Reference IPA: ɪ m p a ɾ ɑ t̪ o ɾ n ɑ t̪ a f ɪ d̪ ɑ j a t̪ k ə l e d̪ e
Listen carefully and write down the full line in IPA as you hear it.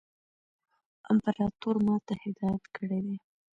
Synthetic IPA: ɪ m p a ɾ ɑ t̪ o ɾ m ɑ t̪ a h ɪ d̪ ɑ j a t̪ k ə ɽ e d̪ e